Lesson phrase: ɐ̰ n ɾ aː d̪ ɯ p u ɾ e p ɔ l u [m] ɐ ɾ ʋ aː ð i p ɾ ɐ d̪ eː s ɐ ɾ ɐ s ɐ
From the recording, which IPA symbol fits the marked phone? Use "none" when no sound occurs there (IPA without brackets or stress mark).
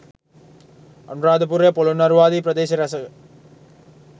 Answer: n